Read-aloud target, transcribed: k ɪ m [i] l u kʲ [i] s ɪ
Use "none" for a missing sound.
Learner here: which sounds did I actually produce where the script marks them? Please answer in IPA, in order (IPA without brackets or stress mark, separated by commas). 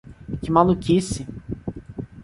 a, i